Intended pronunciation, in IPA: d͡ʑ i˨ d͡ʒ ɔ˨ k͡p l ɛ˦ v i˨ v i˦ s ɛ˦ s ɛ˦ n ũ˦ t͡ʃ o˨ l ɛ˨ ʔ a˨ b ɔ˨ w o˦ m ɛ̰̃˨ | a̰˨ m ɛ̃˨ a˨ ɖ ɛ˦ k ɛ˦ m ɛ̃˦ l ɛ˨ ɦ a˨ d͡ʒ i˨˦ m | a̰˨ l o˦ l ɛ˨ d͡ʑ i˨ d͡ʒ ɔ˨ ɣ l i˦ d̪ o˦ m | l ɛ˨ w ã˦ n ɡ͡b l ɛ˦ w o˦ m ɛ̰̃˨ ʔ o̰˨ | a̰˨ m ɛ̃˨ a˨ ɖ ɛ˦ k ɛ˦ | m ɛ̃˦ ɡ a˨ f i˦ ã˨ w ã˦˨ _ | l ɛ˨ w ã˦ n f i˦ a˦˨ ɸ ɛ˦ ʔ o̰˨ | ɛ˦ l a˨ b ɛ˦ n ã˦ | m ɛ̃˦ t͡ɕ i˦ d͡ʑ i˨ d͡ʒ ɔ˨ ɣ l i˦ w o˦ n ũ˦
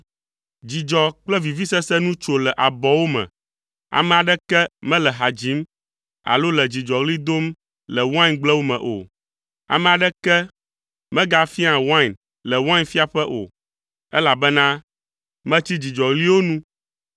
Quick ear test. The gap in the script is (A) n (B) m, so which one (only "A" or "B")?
A